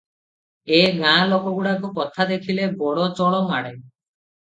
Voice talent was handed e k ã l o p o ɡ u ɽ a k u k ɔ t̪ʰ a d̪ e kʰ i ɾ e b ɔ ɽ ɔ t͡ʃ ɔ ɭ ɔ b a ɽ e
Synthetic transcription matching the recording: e ɡ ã l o k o ɡ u ɽ a k u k ɔ t̪ʰ a d̪ e kʰ i l e b ɔ ɽ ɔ t͡ʃ ɔ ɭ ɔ m a ɽ e

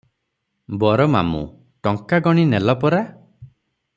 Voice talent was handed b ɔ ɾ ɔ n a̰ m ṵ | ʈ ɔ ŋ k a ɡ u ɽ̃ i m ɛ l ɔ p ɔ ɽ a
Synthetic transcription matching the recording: b ɔ ɾ ɔ m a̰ m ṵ | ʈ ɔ ŋ k a ɡ ɔ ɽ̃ i n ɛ l ɔ p ɔ ɾ a

